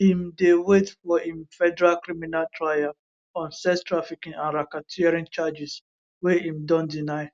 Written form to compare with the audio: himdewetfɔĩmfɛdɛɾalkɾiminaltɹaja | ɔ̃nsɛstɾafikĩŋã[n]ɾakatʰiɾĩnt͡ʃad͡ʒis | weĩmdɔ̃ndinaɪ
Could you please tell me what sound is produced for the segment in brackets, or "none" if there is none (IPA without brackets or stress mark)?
n